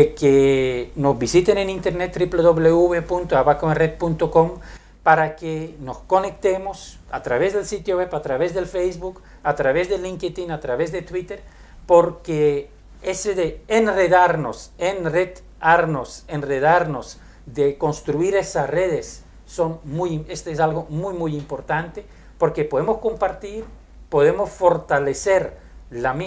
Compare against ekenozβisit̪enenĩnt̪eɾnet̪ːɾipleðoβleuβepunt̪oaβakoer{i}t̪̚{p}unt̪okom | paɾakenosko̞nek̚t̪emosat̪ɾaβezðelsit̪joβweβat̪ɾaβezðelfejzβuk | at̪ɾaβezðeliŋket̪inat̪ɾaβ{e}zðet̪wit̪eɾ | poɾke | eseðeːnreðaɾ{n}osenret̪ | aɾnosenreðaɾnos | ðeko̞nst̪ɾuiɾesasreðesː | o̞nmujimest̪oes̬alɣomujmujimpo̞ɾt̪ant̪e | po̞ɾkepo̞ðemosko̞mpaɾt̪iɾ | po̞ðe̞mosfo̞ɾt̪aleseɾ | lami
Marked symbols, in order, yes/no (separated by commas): no, yes, yes, yes